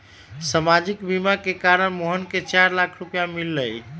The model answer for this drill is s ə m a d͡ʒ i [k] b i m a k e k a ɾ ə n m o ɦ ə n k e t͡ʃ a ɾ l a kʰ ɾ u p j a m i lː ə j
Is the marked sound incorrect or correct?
correct